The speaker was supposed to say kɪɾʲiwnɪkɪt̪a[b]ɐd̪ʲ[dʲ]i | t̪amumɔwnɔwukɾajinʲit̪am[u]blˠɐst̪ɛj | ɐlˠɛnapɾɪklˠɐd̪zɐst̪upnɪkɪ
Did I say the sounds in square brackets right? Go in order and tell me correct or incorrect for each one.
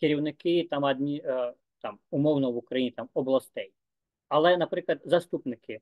incorrect, incorrect, incorrect

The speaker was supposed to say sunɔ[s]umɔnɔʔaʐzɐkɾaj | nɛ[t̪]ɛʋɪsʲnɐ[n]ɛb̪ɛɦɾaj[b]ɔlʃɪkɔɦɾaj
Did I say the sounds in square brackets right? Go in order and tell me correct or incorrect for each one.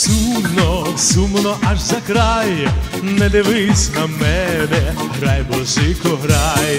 correct, incorrect, incorrect, correct

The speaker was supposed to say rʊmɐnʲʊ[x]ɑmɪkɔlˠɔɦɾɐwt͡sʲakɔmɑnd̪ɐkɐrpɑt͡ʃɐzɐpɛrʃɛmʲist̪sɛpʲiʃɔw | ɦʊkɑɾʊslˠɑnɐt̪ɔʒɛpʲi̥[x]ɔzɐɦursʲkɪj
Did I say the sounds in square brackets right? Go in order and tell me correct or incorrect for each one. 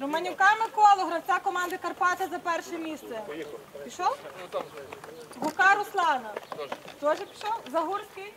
incorrect, incorrect

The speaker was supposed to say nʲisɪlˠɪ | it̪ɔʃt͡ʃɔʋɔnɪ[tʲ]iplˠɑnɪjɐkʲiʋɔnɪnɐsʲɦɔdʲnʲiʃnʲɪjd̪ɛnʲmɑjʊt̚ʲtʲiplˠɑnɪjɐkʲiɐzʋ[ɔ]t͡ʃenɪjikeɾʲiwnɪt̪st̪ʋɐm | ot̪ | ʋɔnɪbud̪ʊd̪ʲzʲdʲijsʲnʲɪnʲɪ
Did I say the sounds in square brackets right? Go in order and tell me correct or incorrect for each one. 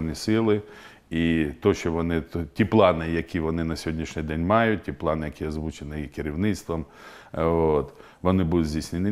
correct, incorrect

